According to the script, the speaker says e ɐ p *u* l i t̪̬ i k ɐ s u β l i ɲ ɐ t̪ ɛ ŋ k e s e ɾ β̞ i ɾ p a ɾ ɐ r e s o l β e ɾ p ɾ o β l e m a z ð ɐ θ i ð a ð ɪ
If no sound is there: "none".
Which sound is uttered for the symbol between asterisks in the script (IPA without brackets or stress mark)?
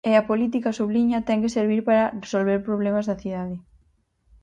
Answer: o